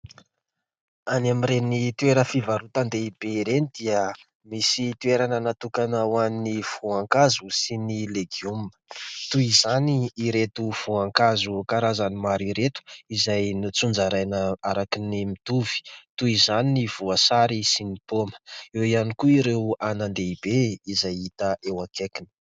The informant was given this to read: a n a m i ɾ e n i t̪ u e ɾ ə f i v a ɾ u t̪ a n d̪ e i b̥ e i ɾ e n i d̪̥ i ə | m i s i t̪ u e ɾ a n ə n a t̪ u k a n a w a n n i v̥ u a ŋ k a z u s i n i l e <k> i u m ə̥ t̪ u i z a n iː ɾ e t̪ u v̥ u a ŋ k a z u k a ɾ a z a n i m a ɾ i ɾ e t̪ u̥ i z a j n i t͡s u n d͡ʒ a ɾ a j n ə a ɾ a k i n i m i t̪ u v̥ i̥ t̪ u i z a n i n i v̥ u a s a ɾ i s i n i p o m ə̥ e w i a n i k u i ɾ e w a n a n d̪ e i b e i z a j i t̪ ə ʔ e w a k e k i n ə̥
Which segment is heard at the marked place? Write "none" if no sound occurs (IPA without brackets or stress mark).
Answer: ɡ